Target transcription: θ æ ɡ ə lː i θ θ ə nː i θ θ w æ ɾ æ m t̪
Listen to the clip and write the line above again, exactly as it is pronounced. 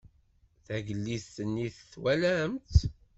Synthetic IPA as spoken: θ æ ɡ ə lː i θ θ ə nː i θ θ w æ l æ m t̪